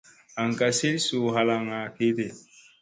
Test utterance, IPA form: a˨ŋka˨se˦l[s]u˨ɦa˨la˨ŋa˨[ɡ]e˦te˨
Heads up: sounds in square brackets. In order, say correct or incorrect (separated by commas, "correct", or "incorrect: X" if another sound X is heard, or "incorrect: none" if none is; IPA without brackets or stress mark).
correct, incorrect: k